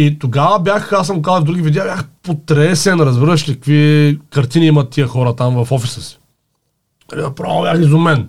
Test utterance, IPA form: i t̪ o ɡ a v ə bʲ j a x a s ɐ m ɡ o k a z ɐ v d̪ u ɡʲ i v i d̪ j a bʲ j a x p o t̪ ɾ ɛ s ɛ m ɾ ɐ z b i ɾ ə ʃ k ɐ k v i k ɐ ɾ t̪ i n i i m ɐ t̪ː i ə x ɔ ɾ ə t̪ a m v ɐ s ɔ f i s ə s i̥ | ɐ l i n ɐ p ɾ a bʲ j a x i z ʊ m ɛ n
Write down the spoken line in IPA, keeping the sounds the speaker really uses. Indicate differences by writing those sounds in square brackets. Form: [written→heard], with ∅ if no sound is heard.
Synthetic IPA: i t̪ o ɡ a v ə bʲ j a x a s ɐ m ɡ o k a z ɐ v d̪ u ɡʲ i v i d̪ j a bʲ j a x p o t̪ ɾ ɛ s ɛ [m→n] ɾ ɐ z b i ɾ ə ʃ k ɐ k v i k ɐ ɾ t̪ i n i i m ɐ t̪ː i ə x ɔ ɾ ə t̪ a m v ɐ [s→f] ɔ f i s ə s i̥ | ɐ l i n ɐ p ɾ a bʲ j a x i z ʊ m ɛ n